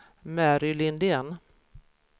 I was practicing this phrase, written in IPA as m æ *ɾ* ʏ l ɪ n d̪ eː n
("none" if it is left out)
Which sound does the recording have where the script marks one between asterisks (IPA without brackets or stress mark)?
ɾ